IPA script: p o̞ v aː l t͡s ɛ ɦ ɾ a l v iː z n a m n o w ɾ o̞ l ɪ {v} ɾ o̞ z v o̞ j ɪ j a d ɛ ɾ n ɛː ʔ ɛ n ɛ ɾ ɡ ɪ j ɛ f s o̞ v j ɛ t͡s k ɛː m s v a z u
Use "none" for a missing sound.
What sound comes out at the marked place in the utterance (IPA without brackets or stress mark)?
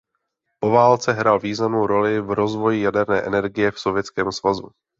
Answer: v